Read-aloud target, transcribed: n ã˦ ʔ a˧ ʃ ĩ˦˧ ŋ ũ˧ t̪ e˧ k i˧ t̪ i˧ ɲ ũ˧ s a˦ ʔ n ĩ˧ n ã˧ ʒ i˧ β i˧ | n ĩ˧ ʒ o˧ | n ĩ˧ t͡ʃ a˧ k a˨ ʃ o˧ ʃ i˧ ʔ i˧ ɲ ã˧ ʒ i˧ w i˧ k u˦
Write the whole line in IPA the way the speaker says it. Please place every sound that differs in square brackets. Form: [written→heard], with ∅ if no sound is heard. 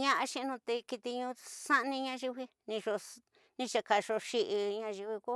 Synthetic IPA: [n→ɲ] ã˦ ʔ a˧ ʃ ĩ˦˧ [ŋ→n] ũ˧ t̪ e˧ k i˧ t̪ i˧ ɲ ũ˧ s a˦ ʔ n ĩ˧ [n→ɲ] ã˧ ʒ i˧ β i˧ | n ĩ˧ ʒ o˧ | n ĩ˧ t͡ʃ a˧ k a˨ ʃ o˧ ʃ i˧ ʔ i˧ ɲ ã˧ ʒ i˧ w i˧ k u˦

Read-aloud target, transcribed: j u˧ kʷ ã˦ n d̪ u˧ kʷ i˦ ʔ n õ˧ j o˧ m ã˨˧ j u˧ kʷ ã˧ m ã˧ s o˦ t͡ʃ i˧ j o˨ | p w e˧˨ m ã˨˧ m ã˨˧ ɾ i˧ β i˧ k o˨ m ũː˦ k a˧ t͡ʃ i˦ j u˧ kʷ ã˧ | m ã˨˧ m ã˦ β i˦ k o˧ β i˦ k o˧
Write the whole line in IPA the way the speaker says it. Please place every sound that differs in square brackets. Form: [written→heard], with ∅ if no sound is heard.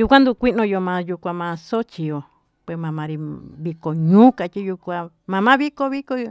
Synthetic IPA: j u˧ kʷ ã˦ n d̪ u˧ kʷ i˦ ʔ n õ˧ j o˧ m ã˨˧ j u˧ kʷ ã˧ m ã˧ s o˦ t͡ʃ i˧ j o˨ | p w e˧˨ m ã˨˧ m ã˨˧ ɾ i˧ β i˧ k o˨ [m→ɲ] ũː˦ k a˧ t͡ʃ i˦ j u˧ kʷ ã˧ | m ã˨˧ m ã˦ β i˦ k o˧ β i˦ k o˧

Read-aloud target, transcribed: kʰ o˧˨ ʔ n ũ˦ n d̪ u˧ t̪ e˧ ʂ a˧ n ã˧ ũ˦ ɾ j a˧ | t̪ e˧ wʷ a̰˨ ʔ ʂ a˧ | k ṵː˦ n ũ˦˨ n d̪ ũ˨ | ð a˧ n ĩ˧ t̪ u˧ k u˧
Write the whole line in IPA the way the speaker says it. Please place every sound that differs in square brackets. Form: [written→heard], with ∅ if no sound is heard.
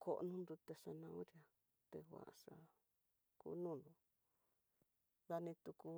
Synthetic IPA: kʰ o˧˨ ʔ n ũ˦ n d̪ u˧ t̪ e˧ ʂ a˧ n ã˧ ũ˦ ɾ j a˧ | t̪ e˧ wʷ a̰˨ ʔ ʂ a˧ | k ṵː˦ n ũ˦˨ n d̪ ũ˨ | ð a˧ n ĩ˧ t̪ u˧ k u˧

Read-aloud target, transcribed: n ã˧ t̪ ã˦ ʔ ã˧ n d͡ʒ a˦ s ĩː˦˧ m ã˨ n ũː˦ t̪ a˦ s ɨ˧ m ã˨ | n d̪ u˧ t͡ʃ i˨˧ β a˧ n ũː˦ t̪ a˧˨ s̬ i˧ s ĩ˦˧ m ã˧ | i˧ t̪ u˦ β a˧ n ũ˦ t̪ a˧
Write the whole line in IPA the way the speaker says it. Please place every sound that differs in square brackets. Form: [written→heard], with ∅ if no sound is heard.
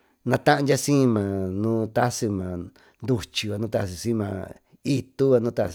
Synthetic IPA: n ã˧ t̪ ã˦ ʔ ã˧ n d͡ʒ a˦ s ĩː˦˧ m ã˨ n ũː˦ t̪ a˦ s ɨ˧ m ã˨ | n d̪ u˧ t͡ʃ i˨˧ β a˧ n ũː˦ t̪ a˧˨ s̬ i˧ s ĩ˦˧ m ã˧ | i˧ t̪ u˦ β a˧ n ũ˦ t̪ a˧

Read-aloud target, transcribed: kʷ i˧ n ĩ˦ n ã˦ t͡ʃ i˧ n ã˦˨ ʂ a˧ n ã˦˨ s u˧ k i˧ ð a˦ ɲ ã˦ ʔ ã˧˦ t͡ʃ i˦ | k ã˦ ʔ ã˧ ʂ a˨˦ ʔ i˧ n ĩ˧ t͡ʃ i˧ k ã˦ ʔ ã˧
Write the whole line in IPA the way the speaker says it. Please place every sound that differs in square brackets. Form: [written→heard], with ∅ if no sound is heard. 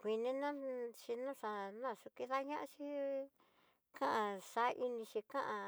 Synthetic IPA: kʷ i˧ n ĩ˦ n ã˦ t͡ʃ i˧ n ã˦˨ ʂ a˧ n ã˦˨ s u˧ k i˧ ð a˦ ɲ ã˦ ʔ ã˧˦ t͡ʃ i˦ | k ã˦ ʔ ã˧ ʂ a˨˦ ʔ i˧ n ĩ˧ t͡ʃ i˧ k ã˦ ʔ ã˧

